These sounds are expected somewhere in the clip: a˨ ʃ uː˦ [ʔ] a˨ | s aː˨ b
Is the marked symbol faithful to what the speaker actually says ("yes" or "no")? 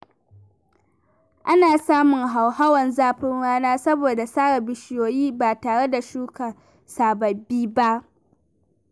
no